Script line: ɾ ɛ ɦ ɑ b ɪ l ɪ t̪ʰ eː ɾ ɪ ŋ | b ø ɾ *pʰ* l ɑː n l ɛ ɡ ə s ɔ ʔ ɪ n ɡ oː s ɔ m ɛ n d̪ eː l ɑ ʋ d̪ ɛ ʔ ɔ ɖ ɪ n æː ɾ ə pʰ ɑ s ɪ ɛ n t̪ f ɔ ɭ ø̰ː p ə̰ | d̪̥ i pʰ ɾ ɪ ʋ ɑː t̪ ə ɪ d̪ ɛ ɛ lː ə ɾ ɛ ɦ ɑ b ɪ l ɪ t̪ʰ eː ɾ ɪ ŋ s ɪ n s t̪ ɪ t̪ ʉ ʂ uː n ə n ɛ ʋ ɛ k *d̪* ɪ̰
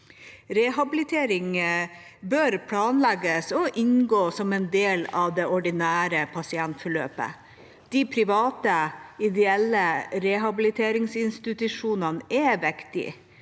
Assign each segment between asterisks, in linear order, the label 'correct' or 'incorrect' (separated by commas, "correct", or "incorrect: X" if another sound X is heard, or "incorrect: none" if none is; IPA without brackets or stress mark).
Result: correct, incorrect: t̪